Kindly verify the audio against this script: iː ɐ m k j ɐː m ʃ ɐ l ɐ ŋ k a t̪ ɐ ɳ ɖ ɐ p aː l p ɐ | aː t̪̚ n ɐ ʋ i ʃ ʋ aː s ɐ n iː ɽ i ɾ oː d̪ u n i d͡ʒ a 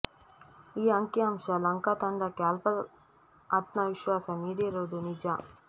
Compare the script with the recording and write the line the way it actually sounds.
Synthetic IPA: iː ɐ ŋ k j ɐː m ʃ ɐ l ɐ ŋ k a t̪ ɐ ɳ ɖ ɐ k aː l p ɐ | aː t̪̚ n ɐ ʋ i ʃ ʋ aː s ɐ n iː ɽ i ɾ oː d̪ u n i d͡ʒ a